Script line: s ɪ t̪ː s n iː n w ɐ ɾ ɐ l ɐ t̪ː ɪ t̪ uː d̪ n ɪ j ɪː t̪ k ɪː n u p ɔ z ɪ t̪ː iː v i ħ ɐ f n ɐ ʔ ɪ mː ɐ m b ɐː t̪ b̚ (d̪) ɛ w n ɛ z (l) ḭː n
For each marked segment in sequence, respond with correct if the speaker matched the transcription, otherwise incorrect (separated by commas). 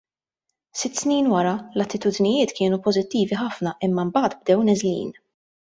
correct, correct